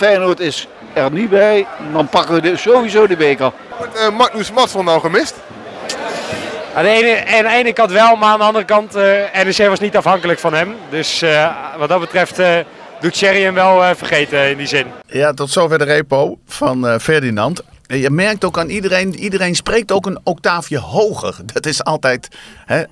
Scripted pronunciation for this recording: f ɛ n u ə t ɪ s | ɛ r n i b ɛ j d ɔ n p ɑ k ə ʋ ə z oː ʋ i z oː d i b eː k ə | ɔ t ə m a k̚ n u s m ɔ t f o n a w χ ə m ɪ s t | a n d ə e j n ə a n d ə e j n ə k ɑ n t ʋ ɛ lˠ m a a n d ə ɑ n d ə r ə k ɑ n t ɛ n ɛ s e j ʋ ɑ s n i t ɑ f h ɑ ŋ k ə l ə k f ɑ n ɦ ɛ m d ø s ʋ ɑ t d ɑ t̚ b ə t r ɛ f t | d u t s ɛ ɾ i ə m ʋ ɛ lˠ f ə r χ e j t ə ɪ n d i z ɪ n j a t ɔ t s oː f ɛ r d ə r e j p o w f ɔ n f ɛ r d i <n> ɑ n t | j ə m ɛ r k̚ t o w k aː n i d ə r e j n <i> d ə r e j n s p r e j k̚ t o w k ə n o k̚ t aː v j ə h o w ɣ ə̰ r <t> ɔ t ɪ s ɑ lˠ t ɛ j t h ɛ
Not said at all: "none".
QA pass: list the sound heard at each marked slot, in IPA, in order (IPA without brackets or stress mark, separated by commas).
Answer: n, i, d